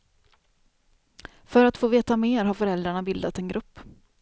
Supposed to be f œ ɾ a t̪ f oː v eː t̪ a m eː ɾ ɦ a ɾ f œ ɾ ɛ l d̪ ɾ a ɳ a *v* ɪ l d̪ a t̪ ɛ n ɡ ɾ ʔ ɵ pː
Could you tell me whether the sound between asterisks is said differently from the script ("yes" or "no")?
yes